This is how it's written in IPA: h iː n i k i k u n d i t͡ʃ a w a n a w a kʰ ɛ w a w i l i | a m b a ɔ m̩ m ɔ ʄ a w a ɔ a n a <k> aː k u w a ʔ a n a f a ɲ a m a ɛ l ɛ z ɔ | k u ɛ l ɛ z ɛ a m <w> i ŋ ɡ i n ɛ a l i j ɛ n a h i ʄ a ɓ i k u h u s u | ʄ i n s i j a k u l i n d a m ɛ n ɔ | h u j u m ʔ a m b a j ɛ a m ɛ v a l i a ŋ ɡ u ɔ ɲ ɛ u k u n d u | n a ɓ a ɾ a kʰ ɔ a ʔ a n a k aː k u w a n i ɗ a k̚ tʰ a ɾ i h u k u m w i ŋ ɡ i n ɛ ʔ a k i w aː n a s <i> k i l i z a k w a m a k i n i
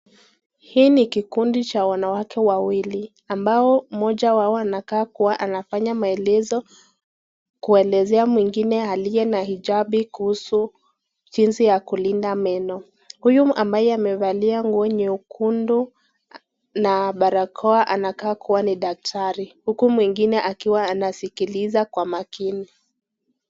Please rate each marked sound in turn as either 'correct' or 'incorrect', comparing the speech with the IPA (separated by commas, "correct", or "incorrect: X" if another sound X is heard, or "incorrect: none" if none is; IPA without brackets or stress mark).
correct, correct, correct